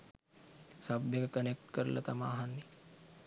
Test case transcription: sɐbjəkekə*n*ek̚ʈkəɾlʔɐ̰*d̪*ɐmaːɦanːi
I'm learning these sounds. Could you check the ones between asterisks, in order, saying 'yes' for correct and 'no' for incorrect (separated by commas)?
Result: yes, no